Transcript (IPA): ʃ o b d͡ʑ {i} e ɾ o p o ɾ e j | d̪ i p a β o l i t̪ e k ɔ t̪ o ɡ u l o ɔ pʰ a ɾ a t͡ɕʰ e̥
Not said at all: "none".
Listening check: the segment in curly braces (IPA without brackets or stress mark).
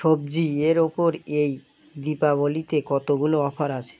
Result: i